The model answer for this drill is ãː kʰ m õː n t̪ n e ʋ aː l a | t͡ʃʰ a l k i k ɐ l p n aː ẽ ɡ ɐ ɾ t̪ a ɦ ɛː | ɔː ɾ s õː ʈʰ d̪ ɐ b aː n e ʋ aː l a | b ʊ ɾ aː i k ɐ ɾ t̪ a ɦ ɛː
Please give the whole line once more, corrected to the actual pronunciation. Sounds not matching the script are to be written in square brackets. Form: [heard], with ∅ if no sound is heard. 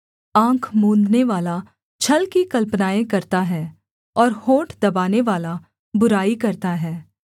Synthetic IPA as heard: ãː kʰ m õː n [d̪] n e ʋ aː l a | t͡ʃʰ [ɐ] l k i k ɐ l p n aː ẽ [k] ɐ ɾ t̪ a ɦ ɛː | ɔː ɾ [h] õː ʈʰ d̪ ɐ b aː n e ʋ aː l a | b ʊ ɾ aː i k ɐ ɾ t̪ a ɦ ɛː